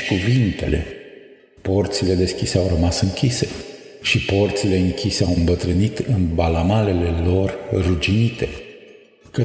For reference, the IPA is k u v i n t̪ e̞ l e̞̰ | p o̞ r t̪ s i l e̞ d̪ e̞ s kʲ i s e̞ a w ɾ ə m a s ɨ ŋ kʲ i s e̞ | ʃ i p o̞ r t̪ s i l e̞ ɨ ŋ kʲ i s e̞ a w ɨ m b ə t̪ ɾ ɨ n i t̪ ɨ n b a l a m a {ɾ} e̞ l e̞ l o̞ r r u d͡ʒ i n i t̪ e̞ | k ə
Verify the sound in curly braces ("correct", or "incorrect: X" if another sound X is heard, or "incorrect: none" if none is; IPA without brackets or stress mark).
incorrect: l